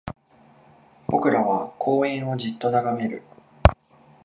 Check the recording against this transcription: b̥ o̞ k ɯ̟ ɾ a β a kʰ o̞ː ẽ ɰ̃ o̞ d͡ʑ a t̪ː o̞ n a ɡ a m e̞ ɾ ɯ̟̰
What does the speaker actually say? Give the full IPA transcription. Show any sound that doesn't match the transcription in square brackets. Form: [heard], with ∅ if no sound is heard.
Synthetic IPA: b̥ o̞ k ɯ̟ ɾ a β a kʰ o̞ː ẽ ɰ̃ o̞ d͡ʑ [i] t̪ː o̞ n a ɡ a m e̞ ɾ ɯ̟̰